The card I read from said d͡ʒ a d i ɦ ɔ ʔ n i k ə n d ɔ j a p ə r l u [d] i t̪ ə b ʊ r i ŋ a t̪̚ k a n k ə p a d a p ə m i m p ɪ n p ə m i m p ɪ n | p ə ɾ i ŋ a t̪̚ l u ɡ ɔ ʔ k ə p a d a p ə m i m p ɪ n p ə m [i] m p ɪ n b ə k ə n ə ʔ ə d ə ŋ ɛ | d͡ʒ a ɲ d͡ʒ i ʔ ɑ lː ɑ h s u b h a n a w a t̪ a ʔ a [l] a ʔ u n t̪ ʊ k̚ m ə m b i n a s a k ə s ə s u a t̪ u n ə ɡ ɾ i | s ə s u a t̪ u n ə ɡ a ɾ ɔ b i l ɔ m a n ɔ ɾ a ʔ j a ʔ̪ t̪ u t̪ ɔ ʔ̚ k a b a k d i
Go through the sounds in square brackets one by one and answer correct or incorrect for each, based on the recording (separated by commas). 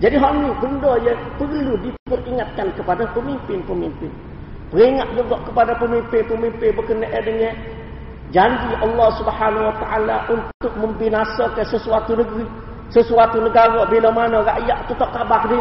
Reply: correct, correct, correct